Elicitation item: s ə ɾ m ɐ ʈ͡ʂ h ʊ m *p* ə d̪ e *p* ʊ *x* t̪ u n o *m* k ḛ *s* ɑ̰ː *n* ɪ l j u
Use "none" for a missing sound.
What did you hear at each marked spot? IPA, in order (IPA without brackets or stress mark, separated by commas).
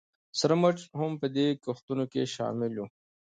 p, k, x, none, ʃ, m